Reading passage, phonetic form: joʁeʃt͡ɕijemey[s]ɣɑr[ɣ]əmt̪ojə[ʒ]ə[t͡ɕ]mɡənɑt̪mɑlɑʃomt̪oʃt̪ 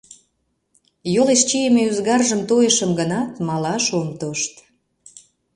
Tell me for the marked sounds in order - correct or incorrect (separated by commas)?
incorrect, incorrect, incorrect, incorrect